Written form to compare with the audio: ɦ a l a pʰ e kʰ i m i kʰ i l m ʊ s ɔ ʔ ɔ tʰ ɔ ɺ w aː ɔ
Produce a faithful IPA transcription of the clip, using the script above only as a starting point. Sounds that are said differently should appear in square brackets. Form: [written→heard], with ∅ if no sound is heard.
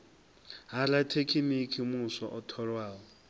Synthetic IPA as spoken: ɦ a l a [pʰ→tʰ] e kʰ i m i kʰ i [l→∅] m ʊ s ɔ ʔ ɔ tʰ ɔ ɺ w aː ɔ